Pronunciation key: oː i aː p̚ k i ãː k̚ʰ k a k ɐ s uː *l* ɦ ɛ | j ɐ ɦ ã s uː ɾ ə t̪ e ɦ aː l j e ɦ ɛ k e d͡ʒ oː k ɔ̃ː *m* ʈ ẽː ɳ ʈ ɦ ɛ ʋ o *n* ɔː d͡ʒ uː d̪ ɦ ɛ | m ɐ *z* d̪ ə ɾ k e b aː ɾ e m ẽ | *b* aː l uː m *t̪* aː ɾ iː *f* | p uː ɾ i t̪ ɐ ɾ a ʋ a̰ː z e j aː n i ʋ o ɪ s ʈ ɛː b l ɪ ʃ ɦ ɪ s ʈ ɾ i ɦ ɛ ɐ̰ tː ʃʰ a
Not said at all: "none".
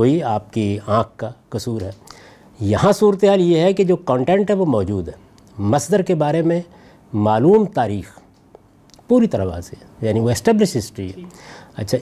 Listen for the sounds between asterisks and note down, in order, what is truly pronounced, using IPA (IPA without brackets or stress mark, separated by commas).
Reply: ɾ, ɳ, m, s, m, t̪, x